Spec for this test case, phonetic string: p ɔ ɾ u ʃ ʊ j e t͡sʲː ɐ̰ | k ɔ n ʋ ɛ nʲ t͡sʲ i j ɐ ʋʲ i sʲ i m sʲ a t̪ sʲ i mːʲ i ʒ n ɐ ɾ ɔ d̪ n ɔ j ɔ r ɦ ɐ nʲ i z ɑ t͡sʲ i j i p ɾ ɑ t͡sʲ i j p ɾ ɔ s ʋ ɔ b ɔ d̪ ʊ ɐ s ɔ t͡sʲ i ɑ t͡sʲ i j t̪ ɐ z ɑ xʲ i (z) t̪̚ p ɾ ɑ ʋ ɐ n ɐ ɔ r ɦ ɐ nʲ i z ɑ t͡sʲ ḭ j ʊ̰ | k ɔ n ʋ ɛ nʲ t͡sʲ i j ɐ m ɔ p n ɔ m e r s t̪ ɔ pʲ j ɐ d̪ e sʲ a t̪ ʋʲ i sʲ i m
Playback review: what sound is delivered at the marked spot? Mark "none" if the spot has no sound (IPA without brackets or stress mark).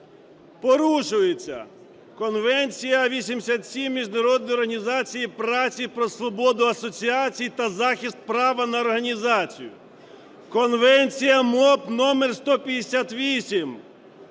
s